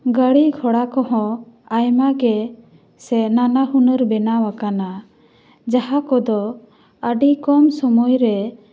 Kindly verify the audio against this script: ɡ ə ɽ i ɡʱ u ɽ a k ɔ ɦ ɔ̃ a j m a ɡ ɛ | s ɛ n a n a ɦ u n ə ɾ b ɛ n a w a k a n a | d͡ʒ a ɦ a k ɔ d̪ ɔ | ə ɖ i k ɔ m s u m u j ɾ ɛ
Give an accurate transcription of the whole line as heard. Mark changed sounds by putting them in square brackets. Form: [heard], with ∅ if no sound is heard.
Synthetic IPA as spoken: ɡ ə ɽ i ɡʱ [ɔ] ɽ a k ɔ ɦ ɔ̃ a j m a ɡ ɛ | s ɛ n a n a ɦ u n ə ɾ b ɛ n a w a k a n a | d͡ʒ a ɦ a k ɔ d̪ ɔ | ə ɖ i k ɔ m s [ɔ] m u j ɾ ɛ